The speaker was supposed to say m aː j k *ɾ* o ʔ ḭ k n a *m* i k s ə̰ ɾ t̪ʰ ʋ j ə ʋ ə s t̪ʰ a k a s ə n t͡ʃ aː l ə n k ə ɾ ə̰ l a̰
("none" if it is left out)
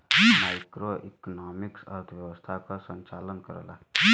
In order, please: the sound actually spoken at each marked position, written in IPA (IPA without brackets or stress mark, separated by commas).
ɾ, m